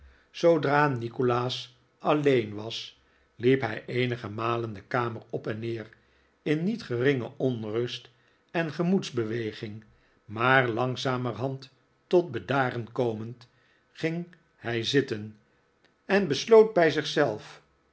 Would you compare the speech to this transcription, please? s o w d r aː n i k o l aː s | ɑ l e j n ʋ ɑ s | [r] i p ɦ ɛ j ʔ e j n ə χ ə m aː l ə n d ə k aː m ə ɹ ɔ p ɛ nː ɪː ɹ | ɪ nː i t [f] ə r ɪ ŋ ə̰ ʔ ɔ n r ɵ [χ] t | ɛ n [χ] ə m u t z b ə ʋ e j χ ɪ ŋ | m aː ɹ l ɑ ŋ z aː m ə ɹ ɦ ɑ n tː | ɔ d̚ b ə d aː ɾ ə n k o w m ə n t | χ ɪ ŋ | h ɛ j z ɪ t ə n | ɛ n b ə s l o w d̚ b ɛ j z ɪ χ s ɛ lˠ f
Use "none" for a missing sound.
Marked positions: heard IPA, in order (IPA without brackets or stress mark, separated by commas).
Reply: l, χ, s, χ